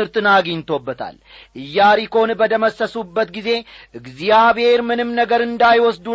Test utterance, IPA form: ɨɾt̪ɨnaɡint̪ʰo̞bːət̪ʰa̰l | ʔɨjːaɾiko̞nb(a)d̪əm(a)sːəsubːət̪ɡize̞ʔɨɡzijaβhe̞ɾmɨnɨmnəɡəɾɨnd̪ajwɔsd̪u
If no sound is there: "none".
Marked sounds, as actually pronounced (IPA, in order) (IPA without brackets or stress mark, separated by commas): ə, ə